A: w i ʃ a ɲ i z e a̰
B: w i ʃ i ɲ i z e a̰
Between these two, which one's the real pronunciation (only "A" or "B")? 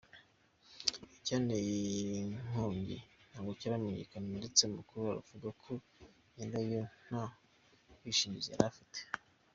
B